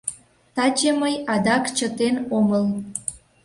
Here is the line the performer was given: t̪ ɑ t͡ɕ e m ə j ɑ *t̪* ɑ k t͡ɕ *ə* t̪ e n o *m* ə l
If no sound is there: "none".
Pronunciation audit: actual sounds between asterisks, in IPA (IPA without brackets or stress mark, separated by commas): d̪, ə, m